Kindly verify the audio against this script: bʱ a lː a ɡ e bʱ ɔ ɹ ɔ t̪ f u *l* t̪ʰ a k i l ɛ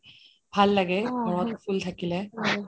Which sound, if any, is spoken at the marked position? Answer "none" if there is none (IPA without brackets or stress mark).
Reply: l